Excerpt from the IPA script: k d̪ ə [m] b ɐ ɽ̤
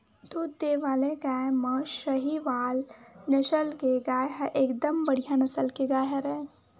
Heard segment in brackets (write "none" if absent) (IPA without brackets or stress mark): m